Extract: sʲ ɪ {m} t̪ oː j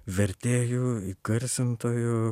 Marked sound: incorrect: n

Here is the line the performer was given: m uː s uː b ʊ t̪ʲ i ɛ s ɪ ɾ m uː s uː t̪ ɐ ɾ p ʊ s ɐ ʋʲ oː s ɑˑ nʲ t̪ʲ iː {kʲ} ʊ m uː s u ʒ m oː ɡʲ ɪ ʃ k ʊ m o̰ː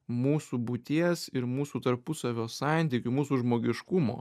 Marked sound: correct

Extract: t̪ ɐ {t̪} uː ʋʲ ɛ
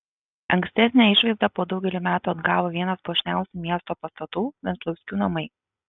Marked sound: correct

